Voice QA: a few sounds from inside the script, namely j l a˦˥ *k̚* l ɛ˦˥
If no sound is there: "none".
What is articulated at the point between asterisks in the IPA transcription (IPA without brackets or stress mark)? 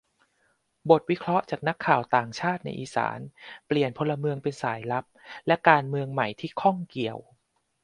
p̚